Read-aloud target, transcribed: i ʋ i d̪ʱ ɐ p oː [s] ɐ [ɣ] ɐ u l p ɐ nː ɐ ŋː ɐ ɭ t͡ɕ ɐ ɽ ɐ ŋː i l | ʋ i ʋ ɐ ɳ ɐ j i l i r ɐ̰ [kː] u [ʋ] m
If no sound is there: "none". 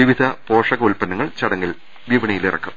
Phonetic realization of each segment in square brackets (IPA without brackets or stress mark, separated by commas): ʂ, ɣ, kː, none